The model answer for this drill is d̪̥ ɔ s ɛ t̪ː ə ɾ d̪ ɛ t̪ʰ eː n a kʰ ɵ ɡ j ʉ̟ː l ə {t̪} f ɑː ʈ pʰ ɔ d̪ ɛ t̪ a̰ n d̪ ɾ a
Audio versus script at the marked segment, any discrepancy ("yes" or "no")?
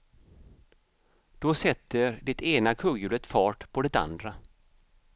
no